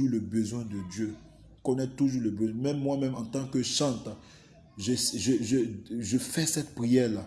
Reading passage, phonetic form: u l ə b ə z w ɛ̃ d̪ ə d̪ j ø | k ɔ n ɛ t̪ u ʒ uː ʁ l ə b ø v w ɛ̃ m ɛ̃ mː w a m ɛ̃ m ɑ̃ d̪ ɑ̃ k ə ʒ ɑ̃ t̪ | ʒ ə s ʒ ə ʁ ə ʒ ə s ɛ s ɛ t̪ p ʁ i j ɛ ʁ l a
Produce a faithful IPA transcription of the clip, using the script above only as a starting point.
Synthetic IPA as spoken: u l ə b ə z w ɛ̃ d̪ ə d̪ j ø | k ɔ n ɛ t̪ u ʒ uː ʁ l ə b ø z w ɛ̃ m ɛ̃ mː w a m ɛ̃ m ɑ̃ t̪ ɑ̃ k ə ʃ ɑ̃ t̪ | ʒ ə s ʒ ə ʒ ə ʒ ə f ɛ s ɛ t̪ p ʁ i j ɛ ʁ l a